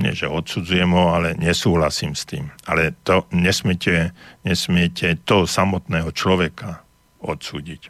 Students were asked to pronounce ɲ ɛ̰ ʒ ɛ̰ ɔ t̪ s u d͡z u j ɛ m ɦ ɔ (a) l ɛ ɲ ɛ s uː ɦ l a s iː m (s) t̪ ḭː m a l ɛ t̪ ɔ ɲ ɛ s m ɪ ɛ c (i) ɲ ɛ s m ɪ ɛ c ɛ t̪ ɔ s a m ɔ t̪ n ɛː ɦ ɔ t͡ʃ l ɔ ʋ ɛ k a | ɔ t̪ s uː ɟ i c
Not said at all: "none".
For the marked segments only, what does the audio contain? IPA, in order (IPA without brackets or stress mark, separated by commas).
a, s, ɛ